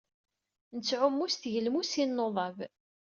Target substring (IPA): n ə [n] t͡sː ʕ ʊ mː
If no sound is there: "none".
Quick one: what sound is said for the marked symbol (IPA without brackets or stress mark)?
none